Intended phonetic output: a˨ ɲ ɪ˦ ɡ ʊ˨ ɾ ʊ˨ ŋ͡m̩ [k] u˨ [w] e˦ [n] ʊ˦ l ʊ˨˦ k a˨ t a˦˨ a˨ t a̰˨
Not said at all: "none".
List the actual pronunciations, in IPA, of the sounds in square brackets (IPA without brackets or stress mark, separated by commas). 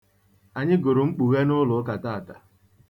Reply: k͡p, ɣ, n